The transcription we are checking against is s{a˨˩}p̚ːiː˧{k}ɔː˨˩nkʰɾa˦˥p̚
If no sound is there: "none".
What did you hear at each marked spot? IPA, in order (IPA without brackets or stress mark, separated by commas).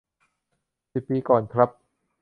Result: i˨˩, k